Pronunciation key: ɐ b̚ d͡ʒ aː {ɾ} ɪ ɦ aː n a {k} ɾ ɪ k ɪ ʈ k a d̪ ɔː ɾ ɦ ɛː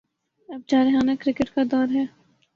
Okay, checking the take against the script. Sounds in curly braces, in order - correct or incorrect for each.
correct, correct

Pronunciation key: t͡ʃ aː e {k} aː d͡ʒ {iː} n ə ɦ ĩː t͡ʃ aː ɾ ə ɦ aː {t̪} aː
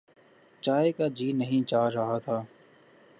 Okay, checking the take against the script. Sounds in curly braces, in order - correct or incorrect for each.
correct, correct, incorrect: t̪ʰ

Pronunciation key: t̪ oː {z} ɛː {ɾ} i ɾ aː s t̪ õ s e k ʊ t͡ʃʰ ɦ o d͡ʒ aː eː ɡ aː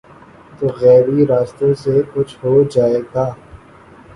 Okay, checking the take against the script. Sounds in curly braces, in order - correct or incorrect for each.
incorrect: ɣ, correct

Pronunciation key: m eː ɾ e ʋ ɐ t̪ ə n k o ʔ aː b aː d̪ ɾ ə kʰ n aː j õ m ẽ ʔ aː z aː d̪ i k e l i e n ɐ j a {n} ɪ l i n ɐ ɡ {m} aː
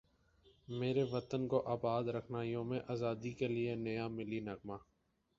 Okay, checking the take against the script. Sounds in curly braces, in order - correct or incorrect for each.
incorrect: m, correct

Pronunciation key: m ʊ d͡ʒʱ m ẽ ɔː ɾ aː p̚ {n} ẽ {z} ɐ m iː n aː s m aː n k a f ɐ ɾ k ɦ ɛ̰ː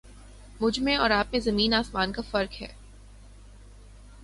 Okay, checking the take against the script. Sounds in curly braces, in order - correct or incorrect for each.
incorrect: m, correct

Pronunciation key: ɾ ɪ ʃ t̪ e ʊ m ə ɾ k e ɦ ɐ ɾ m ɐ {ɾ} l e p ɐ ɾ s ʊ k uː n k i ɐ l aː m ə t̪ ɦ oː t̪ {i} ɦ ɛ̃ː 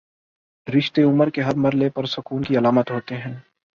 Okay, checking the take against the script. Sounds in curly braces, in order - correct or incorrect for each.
correct, incorrect: e

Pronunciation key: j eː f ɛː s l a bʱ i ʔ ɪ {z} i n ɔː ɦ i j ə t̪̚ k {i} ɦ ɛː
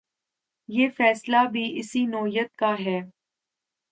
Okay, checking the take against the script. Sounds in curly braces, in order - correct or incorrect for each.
incorrect: s, incorrect: a

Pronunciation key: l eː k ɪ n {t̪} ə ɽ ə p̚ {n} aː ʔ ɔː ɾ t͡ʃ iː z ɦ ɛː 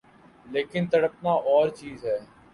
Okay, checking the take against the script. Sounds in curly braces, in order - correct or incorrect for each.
correct, correct

